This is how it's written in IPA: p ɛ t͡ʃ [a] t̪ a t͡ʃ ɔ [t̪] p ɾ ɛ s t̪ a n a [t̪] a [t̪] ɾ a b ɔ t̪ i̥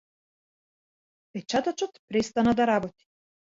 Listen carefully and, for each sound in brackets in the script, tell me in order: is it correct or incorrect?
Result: correct, correct, incorrect: d̪, incorrect: none

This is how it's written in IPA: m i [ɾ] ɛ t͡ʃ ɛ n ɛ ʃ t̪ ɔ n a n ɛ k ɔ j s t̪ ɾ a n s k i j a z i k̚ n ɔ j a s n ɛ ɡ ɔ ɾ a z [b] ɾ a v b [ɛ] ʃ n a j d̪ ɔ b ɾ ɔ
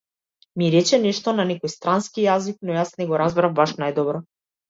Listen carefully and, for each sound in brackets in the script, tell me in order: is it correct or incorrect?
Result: correct, correct, incorrect: a

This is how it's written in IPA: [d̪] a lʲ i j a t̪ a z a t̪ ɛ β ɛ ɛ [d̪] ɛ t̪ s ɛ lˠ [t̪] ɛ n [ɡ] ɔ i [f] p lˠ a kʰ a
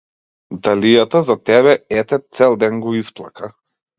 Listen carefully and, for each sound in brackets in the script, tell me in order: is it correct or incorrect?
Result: correct, incorrect: t̪, incorrect: d̪, correct, incorrect: s

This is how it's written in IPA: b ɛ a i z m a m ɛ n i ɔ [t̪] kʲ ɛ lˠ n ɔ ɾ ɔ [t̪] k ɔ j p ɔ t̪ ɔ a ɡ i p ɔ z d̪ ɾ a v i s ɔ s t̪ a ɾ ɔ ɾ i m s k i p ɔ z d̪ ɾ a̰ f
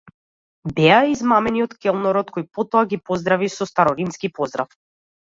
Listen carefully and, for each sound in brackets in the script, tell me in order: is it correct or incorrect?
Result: correct, correct

